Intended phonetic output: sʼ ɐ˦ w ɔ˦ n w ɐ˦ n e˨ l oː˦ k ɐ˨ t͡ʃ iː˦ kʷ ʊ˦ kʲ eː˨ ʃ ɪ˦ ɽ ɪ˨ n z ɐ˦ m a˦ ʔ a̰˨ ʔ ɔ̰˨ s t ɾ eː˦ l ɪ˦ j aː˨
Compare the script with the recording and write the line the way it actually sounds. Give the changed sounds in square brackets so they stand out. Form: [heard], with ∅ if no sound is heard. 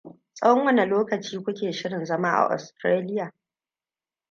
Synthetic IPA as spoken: sʼ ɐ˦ w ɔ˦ [ŋ] w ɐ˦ n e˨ l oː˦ k ɐ˨ t͡ʃ iː˦ kʷ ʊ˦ kʲ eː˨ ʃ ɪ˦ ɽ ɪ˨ n z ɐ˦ m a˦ ʔ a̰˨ ʔ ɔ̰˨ s t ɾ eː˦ l ɪ˦ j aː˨